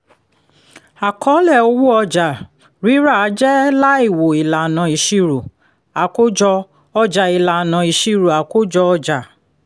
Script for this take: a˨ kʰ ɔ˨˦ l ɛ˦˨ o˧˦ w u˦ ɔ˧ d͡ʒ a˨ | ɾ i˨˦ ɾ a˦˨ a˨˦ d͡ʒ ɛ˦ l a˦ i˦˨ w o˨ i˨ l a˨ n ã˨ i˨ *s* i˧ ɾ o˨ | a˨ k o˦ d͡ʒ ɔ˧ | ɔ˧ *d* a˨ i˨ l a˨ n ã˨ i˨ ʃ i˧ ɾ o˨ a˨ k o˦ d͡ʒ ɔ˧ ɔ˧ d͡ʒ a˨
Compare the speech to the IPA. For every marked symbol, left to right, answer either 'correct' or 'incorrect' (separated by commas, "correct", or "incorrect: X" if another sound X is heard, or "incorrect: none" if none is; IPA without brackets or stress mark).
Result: incorrect: ʃ, incorrect: d͡ʒ